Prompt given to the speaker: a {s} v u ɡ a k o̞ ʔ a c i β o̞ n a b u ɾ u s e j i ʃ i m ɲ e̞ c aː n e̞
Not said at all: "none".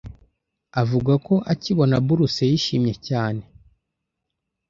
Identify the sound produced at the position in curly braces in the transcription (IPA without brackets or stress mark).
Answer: none